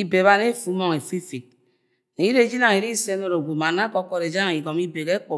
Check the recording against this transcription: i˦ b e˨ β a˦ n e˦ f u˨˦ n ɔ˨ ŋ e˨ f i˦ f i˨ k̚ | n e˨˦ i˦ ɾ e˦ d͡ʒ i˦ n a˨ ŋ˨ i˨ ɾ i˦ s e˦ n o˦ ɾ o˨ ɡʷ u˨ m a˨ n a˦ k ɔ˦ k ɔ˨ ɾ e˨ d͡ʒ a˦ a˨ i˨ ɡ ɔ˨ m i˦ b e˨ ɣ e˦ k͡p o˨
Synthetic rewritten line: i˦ b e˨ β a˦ n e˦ f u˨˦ m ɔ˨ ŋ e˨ f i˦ f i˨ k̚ | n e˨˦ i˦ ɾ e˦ d͡ʒ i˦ n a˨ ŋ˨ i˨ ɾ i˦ s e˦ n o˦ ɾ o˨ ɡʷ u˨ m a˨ n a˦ k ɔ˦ k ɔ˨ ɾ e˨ d͡ʒ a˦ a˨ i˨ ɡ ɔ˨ m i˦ b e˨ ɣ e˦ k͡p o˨